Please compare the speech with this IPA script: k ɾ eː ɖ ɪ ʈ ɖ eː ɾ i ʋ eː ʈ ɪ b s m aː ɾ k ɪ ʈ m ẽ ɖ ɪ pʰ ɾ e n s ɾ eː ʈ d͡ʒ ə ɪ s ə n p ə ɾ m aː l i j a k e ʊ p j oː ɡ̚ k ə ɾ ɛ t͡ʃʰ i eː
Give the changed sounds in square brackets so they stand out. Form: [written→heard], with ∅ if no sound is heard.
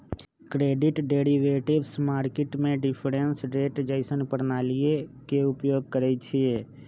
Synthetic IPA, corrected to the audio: k ɾ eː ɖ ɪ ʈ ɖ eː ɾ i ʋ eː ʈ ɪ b s m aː ɾ k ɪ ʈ m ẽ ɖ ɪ pʰ ɾ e n s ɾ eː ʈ d͡ʒ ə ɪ s ə n p ə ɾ [m→n] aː l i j [a→e] k e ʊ p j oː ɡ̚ k ə ɾ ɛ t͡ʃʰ i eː